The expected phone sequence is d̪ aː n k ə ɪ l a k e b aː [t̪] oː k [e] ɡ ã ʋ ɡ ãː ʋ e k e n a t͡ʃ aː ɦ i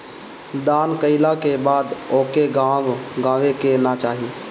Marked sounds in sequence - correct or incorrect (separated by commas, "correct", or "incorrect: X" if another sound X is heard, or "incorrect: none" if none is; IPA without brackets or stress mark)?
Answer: incorrect: d̪, correct